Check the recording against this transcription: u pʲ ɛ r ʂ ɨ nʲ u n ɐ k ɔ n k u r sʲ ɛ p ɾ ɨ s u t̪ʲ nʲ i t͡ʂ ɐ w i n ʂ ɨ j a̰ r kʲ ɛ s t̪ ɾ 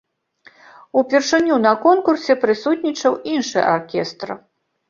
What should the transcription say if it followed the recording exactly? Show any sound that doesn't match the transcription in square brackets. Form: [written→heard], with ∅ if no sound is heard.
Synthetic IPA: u pʲ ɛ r ʂ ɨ nʲ u n ɐ k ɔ n k u r sʲ ɛ p ɾ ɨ s u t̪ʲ nʲ i t͡ʂ ɐ w i n ʂ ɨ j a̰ r kʲ ɛ s t̪ ɾ